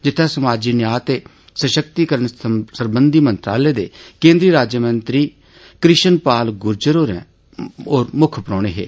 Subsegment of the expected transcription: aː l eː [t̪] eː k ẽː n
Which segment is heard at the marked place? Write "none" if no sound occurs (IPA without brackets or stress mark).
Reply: d̪